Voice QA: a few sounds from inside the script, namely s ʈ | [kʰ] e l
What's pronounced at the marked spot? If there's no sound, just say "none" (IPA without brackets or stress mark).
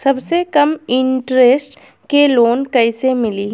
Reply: k